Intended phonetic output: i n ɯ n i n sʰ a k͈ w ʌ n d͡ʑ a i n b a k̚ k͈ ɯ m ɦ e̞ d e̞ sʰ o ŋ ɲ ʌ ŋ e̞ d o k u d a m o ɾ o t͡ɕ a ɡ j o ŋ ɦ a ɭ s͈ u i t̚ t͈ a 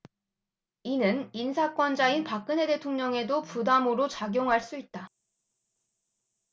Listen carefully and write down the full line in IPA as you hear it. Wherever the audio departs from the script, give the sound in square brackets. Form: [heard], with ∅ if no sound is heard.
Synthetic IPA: i n ɯ n i n sʰ a k͈ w ʌ n d͡ʑ a i n [p] a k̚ k͈ ɯ [n] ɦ e̞ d e̞ [tʰ] o ŋ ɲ ʌ ŋ e̞ d o [p] u d a m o ɾ o t͡ɕ a ɡ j o ŋ ɦ a ɭ s͈ u i t̚ t͈ a